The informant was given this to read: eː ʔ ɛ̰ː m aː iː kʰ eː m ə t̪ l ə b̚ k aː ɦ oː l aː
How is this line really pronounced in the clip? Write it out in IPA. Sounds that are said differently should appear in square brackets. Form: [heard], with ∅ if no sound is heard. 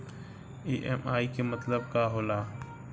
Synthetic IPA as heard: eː ʔ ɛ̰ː m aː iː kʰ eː m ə t̪ l ə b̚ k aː ɦ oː l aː